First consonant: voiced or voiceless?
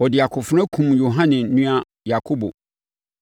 voiced